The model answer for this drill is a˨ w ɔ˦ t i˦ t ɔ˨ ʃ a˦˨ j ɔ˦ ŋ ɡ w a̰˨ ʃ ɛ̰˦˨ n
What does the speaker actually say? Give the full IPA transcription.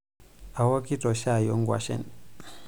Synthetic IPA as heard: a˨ w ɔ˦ k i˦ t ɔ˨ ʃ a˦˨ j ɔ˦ ŋ ɡ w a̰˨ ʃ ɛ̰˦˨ n